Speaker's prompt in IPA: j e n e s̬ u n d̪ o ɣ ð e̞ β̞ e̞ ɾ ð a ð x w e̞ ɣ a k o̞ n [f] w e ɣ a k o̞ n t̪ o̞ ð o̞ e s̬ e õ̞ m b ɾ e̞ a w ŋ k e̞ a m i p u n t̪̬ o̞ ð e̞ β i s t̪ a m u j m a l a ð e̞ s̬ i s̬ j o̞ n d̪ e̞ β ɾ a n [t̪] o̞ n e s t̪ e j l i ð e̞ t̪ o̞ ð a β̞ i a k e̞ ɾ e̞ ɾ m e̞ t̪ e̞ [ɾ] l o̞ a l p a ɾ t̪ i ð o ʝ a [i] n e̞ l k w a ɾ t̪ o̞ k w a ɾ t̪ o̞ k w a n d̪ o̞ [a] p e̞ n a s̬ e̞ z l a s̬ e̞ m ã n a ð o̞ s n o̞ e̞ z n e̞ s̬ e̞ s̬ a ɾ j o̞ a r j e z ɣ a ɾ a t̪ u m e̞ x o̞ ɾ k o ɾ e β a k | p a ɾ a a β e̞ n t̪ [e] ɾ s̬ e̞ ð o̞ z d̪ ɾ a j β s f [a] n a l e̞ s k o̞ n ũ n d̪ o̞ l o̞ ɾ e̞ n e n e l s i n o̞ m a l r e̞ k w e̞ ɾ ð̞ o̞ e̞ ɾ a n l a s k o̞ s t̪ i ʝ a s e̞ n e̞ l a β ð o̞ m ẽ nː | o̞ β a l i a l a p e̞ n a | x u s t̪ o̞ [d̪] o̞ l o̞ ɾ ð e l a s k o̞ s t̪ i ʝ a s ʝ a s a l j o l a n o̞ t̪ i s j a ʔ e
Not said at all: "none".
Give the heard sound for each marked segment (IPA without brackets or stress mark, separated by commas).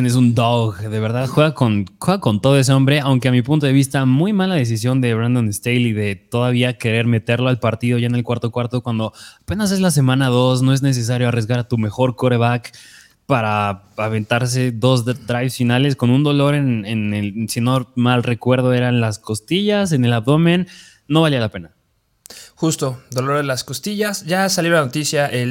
x, d̪, ɾ, e, a, a, i, d̪